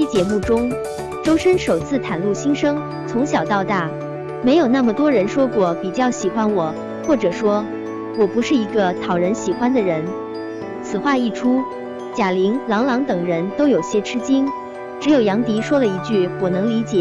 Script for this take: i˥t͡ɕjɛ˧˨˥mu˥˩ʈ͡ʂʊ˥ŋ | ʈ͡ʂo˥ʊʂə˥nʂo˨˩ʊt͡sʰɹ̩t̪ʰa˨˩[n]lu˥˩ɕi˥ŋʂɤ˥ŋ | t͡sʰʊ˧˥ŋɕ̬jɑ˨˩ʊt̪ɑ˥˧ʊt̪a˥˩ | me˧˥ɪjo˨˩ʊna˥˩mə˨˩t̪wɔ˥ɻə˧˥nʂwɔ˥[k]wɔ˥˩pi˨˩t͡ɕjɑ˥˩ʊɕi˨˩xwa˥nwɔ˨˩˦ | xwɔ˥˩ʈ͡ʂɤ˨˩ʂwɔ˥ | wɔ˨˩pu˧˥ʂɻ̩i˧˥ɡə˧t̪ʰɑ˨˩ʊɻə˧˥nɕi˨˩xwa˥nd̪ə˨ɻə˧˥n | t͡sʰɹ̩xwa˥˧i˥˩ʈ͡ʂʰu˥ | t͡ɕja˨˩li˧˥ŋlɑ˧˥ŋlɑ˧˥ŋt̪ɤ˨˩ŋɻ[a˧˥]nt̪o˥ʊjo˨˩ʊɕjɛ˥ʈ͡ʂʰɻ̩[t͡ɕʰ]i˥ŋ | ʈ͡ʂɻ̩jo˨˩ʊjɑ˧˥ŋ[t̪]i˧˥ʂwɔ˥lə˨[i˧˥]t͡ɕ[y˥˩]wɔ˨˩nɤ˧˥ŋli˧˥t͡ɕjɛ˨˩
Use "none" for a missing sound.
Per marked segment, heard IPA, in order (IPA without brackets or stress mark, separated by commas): n, k, ə˧˥, t͡ɕ, t̪, i˧˥, y˥˩